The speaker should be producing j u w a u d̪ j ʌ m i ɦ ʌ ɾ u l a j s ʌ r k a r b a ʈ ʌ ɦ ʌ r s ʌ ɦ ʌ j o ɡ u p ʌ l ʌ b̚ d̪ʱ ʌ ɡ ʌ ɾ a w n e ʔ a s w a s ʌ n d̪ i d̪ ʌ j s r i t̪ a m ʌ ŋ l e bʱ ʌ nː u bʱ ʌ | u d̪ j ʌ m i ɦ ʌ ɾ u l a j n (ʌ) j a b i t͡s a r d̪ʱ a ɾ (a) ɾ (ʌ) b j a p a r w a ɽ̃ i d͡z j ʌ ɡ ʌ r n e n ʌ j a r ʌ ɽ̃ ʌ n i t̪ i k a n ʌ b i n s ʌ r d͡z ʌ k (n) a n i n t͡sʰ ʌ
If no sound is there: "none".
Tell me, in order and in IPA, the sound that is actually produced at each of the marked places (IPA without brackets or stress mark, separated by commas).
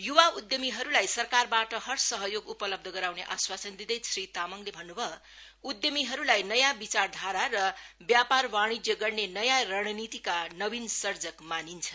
ʌ, a, ʌ, m